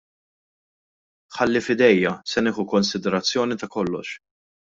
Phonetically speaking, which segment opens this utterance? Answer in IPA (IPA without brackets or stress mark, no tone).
ħ